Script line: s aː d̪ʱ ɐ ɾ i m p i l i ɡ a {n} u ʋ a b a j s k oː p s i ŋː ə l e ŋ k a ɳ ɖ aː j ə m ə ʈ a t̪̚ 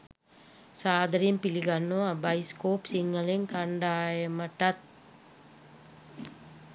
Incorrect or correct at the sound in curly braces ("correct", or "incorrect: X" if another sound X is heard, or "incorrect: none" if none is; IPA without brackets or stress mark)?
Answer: incorrect: nː